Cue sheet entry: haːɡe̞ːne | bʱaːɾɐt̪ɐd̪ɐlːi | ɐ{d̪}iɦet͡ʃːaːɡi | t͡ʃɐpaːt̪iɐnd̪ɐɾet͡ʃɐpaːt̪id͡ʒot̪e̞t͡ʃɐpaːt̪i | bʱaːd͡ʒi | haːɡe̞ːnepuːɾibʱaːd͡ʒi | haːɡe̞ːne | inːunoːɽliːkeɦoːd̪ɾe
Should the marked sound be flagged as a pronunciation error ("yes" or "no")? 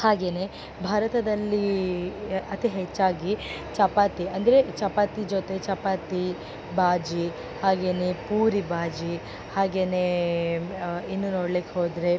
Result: yes